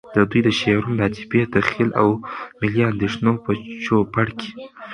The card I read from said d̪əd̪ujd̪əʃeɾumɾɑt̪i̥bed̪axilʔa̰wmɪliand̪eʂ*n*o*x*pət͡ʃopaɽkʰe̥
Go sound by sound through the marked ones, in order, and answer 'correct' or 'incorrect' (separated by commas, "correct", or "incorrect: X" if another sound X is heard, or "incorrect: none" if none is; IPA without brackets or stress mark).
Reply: correct, incorrect: none